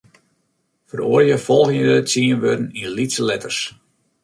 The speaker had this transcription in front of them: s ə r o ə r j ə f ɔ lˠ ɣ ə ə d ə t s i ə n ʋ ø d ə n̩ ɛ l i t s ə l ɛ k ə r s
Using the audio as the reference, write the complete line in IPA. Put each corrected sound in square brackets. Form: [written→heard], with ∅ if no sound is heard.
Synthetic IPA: [s→f] ə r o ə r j ə f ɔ lˠ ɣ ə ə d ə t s i ə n ʋ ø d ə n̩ [ɛ→i] l i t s ə l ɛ [k→t] ə r s